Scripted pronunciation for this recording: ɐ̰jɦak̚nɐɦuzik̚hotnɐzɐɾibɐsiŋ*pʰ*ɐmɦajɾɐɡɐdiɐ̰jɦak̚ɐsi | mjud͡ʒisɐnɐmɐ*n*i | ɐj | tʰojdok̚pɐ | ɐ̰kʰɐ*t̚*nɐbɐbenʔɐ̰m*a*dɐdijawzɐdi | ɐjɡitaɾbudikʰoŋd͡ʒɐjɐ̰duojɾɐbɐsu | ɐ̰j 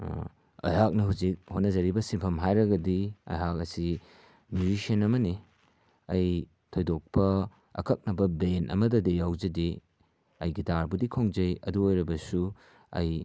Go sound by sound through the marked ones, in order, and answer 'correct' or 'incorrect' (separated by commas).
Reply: correct, correct, incorrect, incorrect